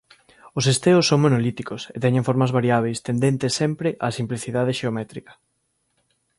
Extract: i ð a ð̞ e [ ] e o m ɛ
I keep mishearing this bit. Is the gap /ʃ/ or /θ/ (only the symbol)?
ʃ